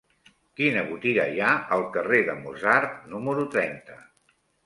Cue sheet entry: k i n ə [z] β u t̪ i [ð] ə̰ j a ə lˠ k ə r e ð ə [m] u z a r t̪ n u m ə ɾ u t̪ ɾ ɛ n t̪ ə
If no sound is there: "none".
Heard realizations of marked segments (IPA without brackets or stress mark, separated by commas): none, ɣ, m